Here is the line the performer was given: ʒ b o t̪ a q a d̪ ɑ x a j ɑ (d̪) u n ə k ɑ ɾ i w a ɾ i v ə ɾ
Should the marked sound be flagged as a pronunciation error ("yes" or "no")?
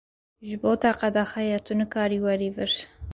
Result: yes